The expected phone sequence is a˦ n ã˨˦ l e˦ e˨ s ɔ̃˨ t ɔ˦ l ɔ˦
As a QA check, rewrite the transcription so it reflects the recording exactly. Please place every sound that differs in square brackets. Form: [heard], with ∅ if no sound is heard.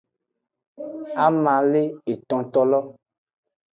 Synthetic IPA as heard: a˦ [m] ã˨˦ l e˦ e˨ [t] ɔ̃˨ t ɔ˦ l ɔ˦